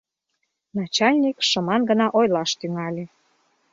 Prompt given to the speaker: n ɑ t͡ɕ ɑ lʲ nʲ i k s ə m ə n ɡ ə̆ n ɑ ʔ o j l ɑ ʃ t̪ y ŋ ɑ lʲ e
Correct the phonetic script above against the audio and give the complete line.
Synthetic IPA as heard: n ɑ t͡ɕ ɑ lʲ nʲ i k ʃ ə m ɑ n ɡ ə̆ n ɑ ʔ o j l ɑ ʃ t̪ y ŋ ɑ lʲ e